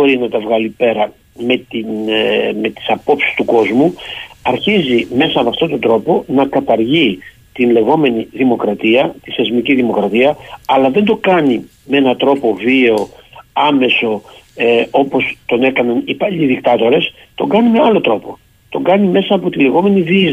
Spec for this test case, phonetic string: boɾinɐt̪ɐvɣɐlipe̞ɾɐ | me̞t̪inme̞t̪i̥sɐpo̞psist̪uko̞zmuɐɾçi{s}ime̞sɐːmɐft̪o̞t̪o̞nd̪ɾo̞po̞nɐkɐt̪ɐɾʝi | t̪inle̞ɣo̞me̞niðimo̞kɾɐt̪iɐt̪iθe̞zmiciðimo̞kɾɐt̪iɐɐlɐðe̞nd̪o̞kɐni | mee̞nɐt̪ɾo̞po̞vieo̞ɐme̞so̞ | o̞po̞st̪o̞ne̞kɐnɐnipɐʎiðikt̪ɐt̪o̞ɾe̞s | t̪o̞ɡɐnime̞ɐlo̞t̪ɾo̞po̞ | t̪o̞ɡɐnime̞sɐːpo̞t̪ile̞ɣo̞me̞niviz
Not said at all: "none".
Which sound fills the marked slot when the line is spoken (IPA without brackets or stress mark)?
z